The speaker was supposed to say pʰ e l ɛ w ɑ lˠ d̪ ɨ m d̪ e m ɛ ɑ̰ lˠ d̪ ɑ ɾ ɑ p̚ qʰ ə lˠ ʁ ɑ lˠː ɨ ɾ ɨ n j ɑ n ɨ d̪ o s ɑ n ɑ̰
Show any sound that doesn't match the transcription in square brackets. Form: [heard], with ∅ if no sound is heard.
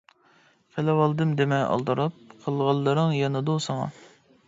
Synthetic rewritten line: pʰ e l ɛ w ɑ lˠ d̪ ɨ m d̪ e m ɛ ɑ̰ lˠ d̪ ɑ ɾ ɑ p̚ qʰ ə lˠ ʁ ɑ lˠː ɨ ɾ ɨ [ŋ] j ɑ n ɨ d̪ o s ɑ [ŋ] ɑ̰